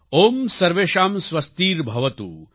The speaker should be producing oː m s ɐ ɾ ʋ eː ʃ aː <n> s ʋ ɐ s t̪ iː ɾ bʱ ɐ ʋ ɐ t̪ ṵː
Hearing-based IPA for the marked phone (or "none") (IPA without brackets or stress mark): m